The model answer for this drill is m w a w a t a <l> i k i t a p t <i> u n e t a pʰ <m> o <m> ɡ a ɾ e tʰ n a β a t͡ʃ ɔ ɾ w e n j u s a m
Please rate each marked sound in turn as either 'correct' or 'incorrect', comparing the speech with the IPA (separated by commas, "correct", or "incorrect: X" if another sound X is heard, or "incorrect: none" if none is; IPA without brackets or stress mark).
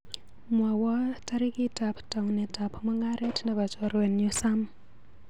incorrect: ɾ, incorrect: a, correct, incorrect: ŋ